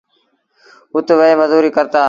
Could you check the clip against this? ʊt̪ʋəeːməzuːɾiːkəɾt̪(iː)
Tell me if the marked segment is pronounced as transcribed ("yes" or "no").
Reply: no